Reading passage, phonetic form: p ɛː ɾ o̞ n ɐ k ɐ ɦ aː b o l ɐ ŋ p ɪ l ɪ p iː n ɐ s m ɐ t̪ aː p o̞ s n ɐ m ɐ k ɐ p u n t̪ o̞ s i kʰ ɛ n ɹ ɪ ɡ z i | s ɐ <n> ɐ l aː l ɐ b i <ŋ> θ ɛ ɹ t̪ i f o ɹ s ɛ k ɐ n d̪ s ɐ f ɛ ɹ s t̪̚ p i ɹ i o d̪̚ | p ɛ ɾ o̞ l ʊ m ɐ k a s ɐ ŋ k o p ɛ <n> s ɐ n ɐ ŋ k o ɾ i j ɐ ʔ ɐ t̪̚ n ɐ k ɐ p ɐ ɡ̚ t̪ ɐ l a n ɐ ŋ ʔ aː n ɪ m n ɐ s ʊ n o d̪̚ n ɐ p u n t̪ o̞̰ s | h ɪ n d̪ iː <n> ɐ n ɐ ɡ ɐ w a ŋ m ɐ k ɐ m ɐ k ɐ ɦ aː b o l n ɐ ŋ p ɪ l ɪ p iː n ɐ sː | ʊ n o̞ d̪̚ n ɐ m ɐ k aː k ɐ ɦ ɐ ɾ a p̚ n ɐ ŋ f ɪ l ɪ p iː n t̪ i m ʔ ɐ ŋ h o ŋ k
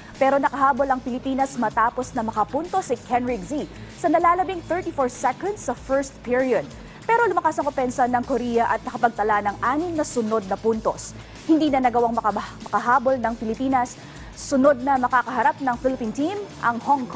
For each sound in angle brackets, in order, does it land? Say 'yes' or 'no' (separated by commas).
yes, yes, yes, yes